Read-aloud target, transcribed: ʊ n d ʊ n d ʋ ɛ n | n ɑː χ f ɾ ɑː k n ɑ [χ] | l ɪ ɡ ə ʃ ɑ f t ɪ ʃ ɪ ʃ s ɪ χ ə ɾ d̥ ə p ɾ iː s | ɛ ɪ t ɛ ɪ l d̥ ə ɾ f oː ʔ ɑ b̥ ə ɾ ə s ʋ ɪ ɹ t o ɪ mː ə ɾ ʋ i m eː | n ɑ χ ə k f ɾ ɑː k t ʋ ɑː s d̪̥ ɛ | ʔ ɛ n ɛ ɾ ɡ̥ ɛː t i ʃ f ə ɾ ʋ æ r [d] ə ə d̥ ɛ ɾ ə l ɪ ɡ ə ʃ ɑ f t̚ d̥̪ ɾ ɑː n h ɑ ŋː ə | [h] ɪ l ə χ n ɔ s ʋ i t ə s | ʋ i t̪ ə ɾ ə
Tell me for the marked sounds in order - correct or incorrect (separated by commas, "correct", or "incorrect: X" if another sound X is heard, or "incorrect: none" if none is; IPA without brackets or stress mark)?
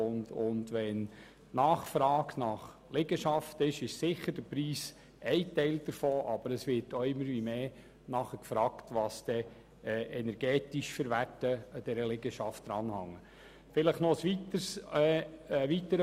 correct, incorrect: t, incorrect: f